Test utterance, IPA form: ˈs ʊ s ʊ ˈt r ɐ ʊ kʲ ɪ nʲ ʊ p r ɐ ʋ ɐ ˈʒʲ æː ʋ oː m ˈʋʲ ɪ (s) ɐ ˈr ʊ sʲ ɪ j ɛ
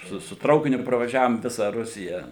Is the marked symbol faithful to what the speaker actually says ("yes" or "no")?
yes